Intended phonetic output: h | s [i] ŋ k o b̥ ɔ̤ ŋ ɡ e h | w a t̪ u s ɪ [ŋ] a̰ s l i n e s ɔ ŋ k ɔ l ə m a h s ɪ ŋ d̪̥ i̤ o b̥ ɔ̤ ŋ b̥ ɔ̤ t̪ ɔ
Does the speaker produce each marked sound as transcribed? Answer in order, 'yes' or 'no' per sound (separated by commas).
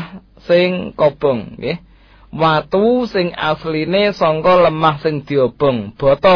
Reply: no, yes